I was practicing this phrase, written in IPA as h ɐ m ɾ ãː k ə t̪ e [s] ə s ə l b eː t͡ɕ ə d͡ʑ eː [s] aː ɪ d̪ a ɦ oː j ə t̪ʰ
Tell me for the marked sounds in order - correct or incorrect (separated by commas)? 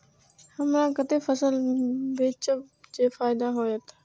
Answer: incorrect, incorrect